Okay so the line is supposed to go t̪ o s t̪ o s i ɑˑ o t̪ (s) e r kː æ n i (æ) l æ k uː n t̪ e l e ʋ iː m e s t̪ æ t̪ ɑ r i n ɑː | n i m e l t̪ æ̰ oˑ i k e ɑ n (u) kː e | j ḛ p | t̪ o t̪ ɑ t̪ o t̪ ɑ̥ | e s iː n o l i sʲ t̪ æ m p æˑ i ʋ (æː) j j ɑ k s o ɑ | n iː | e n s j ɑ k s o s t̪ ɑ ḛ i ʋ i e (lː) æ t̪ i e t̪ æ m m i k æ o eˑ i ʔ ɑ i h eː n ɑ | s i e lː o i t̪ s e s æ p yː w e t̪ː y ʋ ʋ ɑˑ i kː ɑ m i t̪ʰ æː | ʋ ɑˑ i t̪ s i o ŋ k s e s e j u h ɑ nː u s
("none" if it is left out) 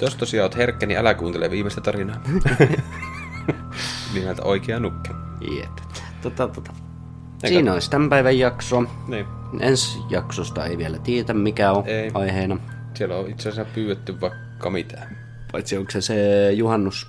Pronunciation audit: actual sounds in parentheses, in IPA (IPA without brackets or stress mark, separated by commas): h, æ, u, æ, l